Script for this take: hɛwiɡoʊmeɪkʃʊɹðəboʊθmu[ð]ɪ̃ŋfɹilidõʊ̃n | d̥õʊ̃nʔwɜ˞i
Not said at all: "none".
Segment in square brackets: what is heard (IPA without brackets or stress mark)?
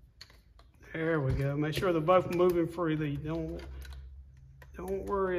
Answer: v